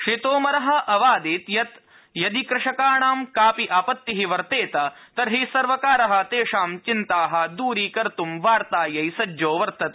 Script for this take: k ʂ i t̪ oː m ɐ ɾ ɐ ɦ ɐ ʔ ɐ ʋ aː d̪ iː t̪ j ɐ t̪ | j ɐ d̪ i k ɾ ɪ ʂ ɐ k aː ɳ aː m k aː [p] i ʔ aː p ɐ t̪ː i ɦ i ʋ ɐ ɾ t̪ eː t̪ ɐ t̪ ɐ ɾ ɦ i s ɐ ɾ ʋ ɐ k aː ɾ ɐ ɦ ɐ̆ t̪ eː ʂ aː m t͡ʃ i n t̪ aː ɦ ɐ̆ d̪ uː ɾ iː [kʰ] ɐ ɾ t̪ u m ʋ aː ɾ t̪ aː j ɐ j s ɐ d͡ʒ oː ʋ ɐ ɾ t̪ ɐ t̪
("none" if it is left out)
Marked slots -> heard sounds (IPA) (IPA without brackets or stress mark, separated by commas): p, k